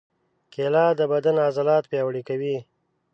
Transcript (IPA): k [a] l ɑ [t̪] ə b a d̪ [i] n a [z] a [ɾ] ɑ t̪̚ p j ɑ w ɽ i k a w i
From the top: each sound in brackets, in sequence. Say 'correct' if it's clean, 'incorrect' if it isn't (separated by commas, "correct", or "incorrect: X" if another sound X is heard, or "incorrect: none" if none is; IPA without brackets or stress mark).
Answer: incorrect: e, incorrect: d̪, incorrect: a, correct, incorrect: l